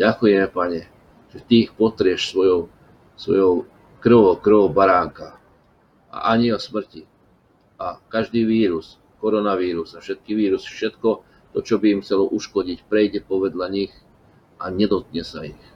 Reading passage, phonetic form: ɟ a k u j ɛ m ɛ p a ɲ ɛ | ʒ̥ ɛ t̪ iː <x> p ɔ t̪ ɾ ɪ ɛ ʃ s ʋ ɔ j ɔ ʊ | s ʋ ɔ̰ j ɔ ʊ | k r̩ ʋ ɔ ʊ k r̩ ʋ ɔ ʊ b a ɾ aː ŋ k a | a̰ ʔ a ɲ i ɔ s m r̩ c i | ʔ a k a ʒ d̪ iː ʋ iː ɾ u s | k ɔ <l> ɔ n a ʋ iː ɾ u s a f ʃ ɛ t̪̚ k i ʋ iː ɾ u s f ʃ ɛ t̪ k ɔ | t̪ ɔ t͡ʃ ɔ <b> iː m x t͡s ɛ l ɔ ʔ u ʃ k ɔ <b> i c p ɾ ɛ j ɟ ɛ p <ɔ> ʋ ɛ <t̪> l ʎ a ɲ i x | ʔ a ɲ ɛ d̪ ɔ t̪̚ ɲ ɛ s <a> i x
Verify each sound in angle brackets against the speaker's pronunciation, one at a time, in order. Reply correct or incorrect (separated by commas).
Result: correct, incorrect, correct, incorrect, correct, incorrect, correct